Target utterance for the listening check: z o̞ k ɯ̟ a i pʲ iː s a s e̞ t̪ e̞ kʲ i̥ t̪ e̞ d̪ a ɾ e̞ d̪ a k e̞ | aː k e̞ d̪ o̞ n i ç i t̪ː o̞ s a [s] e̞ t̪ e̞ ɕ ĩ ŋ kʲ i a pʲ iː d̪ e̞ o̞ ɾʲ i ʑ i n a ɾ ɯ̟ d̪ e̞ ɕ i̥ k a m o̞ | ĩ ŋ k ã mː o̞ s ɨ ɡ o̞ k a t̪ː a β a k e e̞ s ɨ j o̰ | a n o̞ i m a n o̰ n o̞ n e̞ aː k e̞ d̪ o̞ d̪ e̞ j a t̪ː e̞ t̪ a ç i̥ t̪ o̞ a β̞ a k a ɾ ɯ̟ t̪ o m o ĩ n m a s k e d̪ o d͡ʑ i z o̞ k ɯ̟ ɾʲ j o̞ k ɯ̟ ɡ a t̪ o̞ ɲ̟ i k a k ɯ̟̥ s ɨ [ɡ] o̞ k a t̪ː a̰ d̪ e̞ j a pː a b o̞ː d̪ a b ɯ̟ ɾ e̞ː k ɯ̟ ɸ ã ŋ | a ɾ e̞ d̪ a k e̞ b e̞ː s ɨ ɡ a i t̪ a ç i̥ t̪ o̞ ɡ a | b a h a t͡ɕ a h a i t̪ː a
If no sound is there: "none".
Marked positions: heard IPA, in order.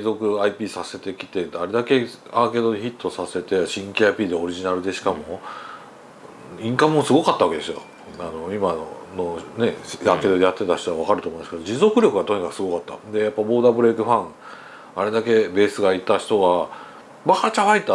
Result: s, ɡ

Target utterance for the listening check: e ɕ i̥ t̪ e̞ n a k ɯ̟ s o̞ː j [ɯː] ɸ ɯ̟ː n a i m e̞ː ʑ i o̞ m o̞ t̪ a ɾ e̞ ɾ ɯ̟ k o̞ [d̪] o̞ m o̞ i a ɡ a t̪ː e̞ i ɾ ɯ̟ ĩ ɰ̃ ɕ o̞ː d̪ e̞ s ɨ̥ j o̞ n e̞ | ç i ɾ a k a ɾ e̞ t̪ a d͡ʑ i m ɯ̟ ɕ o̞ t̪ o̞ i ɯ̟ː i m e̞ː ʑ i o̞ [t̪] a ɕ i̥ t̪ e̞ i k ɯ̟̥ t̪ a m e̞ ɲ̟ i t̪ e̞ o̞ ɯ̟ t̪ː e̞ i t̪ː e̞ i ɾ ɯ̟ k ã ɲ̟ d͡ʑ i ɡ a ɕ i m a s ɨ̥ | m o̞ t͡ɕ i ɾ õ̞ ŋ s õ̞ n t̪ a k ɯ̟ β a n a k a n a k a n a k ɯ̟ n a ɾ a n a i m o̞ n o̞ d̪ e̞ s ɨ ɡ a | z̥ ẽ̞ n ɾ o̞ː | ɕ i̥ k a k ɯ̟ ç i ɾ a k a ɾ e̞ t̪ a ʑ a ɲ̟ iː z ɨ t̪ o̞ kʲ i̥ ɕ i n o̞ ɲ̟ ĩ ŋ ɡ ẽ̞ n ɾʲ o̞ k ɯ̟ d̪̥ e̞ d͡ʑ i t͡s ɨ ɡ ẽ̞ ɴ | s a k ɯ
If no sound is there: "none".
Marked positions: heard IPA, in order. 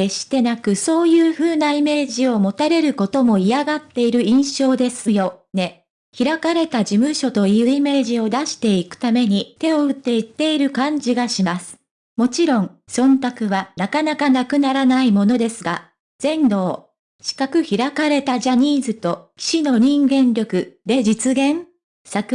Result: ɯː, t̪, d̪

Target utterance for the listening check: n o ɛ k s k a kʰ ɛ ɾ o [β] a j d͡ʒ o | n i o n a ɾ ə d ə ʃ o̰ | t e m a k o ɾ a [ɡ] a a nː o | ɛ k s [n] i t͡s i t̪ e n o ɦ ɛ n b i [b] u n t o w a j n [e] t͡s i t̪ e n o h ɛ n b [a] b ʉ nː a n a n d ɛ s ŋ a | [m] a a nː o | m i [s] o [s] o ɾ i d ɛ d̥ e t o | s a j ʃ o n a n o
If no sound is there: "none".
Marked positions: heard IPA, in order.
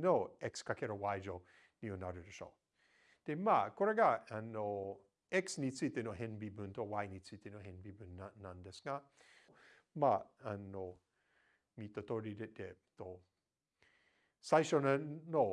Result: w, ɡ, n, b, i, i, m, t, t

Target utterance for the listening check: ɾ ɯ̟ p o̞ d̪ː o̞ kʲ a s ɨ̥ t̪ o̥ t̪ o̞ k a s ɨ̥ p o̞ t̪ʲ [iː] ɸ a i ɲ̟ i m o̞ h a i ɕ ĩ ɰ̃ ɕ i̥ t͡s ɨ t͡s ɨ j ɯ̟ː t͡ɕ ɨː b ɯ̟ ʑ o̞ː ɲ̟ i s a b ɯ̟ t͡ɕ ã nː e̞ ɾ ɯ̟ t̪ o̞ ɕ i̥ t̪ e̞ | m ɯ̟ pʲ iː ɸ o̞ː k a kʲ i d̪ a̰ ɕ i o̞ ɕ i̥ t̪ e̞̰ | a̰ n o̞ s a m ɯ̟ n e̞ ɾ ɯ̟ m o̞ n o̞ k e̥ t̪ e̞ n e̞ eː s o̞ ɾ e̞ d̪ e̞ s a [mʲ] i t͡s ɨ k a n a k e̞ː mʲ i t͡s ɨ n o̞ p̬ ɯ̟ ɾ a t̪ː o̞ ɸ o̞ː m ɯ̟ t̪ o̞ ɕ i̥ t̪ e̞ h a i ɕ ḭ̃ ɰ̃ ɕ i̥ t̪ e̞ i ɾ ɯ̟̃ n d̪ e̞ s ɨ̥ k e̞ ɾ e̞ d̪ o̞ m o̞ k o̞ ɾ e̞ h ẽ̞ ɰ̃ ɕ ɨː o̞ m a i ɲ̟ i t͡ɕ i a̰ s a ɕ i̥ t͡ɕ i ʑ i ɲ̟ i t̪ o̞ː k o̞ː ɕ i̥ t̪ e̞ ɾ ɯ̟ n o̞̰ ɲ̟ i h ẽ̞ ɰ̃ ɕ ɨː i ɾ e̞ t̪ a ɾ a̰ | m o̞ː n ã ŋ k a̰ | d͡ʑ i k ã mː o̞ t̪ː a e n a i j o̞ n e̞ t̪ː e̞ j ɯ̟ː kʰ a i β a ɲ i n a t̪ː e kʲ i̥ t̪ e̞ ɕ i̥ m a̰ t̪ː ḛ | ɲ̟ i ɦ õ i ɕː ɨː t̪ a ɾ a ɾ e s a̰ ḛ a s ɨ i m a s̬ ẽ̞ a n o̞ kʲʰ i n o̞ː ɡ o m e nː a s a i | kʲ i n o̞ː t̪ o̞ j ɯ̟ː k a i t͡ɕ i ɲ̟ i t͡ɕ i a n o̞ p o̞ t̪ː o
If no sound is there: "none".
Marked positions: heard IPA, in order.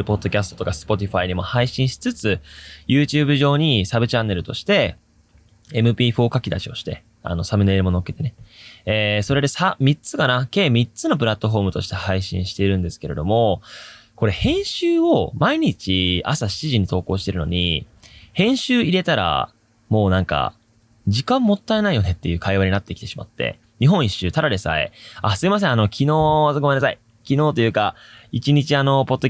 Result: i, mʲ

